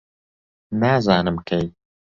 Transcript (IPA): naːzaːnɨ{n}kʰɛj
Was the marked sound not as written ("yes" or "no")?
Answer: yes